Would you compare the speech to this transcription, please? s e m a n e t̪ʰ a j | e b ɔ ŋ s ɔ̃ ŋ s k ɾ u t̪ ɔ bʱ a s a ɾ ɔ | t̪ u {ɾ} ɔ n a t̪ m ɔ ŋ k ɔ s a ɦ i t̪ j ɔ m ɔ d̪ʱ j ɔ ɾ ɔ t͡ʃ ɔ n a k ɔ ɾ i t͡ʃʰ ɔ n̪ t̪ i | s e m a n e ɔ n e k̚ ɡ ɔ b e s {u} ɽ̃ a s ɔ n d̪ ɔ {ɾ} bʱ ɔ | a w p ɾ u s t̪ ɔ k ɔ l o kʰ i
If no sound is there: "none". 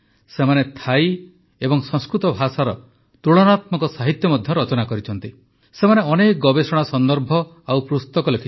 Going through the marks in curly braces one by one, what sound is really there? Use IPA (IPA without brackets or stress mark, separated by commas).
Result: ɭ, ɔ, ɾ